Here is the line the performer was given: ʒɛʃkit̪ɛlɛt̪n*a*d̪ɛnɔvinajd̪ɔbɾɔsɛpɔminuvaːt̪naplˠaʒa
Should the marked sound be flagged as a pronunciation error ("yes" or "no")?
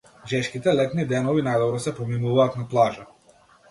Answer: yes